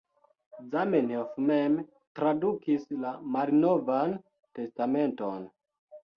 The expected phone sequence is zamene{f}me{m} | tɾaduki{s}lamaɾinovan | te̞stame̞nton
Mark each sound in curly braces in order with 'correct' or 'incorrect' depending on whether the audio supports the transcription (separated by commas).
correct, correct, correct